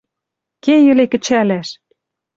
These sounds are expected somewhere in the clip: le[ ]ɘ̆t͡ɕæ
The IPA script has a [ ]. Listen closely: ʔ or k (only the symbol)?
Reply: k